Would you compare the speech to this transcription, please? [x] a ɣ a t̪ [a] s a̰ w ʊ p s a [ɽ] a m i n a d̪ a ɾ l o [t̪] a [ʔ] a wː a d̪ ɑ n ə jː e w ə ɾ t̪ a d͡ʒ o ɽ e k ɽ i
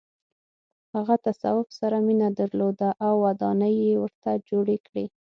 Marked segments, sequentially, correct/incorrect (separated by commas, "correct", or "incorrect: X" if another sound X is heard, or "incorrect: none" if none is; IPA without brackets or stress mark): incorrect: h, correct, incorrect: ɾ, incorrect: d̪, correct